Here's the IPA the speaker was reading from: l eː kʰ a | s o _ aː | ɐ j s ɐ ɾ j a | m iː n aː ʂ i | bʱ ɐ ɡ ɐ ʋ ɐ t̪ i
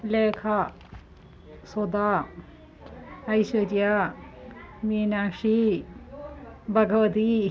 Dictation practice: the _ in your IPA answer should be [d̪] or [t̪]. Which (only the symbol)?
d̪